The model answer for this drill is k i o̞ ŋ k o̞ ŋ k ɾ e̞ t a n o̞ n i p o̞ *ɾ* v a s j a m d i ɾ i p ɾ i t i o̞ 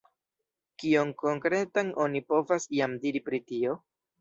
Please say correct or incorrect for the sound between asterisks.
incorrect